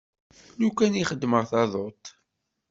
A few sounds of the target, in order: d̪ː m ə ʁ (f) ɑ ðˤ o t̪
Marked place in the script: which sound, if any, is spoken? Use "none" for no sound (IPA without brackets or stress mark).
θ